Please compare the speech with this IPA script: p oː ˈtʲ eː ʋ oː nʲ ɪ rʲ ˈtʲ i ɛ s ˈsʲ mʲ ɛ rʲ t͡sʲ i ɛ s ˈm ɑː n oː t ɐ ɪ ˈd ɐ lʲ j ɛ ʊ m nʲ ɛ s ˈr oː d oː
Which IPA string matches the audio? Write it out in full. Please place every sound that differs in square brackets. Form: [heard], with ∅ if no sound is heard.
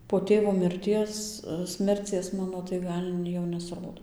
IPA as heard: p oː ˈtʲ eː ʋ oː [mʲ] ɪ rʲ ˈtʲ i ɛ s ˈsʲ mʲ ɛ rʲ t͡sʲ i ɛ s ˈm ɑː n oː t ɐ ɪ [ˈɡ] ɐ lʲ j ɛ ʊ [∅] nʲ ɛ s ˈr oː d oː